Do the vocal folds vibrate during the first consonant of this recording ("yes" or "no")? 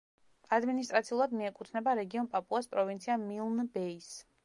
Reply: yes